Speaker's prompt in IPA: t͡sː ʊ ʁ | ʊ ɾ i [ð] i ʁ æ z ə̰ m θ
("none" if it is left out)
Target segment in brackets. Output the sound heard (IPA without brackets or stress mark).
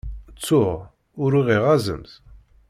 ʁ